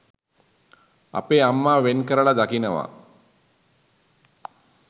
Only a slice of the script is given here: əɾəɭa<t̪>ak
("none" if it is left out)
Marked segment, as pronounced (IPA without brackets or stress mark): d̪